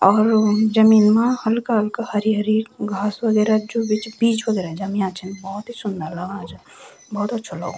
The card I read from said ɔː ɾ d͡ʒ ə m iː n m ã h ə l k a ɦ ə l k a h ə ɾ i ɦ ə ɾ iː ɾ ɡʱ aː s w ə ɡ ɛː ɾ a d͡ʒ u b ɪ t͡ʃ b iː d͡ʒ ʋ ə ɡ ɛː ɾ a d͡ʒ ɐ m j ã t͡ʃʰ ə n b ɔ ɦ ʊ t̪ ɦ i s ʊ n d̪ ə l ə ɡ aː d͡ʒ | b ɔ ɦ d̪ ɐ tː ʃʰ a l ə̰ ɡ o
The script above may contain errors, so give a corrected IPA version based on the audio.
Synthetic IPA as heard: ɔː ɾ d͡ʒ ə m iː n m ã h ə l k a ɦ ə l k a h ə ɾ i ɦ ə ɾ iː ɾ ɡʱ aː s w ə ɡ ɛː ɾ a d͡ʒ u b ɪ t͡ʃ b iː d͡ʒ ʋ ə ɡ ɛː ɾ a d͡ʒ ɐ m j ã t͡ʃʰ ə n b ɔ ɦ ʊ t̪ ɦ i s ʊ n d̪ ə l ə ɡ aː d͡ʒ | b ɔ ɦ t̪ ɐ tː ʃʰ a l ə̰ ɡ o

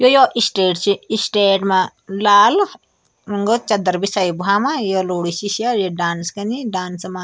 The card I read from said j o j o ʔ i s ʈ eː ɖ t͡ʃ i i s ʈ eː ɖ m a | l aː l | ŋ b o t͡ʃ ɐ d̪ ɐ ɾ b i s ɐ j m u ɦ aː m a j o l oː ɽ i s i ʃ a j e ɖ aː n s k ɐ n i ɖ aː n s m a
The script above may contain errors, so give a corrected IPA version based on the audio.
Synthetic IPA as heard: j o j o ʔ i s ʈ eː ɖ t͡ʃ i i s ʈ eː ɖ m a | l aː l | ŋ ɡ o t͡ʃ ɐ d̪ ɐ ɾ b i s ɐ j b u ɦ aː m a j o l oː ɽ i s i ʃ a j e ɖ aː n s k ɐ n i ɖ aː n s m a

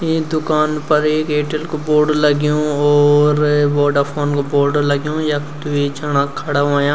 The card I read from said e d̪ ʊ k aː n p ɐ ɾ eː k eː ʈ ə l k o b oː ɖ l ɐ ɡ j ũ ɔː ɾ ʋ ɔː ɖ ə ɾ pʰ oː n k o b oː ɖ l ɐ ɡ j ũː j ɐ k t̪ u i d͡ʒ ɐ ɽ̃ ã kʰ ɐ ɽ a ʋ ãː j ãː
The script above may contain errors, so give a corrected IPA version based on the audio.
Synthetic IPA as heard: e d̪ ʊ k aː n p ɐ ɾ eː k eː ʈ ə l k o b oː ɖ l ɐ ɡ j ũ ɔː ɾ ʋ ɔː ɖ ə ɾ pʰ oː n k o b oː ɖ l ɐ ɡ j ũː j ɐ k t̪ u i d͡ʒ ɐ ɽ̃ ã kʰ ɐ ɽ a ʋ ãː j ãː

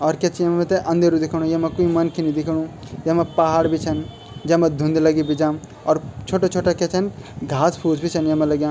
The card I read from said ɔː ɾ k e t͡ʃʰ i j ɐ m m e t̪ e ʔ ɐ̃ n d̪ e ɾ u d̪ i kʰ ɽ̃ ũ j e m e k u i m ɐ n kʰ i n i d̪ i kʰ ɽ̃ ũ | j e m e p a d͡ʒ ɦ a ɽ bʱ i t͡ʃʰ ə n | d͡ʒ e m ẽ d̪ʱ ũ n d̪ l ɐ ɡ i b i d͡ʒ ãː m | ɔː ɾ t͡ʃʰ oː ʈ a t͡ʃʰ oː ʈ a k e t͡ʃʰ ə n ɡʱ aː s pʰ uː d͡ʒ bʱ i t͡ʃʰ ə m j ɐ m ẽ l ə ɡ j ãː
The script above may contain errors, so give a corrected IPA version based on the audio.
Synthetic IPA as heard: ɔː ɾ k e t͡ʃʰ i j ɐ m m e t̪ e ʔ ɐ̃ n d̪ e ɾ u d̪ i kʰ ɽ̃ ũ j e m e k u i m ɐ n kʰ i n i d̪ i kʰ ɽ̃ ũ | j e m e p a ɦ a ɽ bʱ i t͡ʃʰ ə n | d͡ʒ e m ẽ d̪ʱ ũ n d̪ l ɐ ɡ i b i d͡ʒ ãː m | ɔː ɾ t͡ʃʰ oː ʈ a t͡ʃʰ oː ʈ a k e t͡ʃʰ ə n ɡʱ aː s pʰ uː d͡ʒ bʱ i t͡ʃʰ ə n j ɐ m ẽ l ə ɡ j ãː

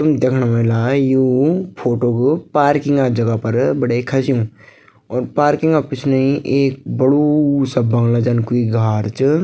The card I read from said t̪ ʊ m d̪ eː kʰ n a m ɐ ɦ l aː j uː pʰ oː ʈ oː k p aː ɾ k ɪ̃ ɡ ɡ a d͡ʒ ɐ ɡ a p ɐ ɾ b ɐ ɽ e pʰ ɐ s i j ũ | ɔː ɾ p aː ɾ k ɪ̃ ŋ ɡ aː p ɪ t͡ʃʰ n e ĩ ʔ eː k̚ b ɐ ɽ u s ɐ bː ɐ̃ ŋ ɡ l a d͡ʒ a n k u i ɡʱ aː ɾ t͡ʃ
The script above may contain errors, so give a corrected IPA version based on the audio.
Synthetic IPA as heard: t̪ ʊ m d̪ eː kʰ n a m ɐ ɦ l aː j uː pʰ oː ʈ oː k p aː ɾ k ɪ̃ ŋ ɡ a d͡ʒ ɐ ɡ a p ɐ ɾ b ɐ ɽ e kʰ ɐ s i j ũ | ɔː ɾ p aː ɾ k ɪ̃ ŋ ɡ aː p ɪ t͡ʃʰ n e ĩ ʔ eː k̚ b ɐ ɽ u s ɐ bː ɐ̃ ŋ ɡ l a d͡ʒ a n k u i ɡʱ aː ɾ t͡ʃ

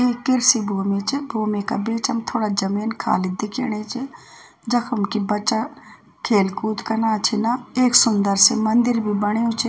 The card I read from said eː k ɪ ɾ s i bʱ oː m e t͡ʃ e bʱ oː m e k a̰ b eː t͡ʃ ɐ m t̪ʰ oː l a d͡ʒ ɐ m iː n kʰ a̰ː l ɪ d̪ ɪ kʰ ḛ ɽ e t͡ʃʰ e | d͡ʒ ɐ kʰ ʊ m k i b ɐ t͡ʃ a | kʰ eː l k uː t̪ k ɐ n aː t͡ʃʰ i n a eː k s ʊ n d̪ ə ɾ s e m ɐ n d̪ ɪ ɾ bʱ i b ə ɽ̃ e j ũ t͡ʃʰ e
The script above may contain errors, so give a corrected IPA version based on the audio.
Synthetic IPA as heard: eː k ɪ ɾ s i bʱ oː m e t͡ʃ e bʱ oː m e k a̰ b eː t͡ʃ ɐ m t̪ʰ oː ɽ a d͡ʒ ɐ m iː n kʰ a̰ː l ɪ d̪ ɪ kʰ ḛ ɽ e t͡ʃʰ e | d͡ʒ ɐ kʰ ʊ m k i b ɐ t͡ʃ a | kʰ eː l k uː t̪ k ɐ n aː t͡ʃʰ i n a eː k s ʊ n d̪ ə ɾ s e m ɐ n d̪ ɪ ɾ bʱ i b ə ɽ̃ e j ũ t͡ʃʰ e

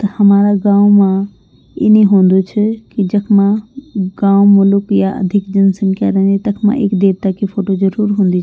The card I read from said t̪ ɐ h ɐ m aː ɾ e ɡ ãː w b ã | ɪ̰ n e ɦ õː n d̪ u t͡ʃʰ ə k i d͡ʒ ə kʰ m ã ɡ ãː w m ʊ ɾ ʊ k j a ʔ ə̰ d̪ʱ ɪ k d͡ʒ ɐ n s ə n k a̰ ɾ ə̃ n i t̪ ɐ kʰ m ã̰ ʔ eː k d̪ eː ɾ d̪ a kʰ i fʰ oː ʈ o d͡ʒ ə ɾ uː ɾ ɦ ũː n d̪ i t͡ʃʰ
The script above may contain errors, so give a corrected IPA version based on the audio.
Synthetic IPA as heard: t̪ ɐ h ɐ m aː ɾ a ɡ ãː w m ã | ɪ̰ n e ɦ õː n d̪ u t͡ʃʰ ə k i d͡ʒ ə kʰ m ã ɡ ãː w m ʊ l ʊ k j a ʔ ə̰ d̪ʱ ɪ k d͡ʒ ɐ n s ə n k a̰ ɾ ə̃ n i t̪ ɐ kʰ m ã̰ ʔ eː k d̪ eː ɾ t̪ a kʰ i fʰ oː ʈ o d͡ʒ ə ɾ uː ɾ ɦ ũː n d̪ i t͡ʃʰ

